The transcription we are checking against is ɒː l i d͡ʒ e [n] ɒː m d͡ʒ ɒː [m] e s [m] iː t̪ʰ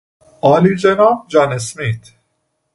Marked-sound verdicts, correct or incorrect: correct, incorrect: n, correct

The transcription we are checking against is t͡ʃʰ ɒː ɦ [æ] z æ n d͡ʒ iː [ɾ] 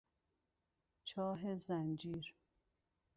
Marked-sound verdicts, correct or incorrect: incorrect: e, correct

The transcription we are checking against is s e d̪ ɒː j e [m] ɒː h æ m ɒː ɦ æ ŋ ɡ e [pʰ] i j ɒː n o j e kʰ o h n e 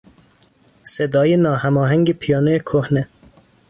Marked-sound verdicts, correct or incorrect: incorrect: n, correct

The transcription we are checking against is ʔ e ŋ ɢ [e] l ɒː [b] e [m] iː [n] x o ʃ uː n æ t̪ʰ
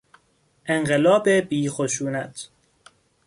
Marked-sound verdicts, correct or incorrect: correct, correct, incorrect: b, incorrect: none

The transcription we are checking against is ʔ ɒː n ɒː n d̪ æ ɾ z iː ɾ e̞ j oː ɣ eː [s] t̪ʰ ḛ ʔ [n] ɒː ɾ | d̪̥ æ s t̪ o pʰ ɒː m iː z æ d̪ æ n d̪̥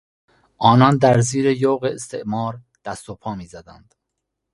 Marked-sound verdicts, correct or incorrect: correct, incorrect: m

